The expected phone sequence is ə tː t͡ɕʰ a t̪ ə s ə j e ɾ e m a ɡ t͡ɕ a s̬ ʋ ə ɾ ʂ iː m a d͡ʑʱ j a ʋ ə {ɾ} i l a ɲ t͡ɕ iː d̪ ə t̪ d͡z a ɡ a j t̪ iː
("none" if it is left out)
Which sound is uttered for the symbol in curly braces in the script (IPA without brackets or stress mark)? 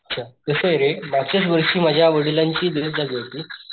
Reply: ɽ